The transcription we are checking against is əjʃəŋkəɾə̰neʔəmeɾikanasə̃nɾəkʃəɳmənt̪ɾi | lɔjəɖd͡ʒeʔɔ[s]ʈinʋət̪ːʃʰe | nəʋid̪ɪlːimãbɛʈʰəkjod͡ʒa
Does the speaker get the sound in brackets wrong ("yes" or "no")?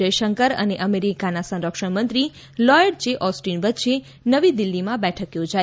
no